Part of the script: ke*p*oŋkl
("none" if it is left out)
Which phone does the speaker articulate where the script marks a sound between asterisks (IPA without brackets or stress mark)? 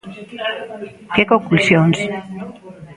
k